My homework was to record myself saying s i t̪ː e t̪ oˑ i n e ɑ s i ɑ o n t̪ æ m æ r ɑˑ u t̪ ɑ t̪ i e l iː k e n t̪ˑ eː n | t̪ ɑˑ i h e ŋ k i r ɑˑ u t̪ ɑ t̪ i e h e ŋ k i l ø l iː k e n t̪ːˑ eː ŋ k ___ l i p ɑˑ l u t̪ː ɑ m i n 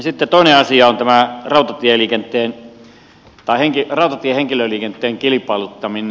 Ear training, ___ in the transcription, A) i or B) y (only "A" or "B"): A